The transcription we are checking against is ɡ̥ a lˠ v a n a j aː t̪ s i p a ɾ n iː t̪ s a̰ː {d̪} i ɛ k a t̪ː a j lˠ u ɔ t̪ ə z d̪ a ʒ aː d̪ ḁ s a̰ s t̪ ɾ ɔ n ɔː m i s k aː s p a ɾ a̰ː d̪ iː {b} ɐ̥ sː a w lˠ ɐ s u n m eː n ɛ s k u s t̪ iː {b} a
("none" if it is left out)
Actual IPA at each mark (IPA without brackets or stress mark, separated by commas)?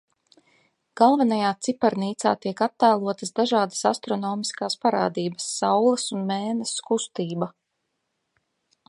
t̪, b, b